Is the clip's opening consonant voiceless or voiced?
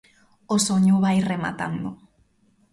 voiceless